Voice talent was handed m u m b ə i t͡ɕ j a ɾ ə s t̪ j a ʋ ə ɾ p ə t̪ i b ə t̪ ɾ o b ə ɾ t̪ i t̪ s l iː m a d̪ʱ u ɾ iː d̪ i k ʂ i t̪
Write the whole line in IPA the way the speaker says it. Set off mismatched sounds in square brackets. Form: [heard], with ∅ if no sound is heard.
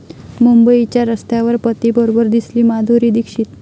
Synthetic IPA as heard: m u m b ə i t͡ɕ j a ɾ ə s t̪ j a ʋ ə ɾ p ə t̪ i b ə [∅] ɾ o b ə ɾ [d̪] i [∅] s l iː m a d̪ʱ u ɾ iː d̪ i k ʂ i t̪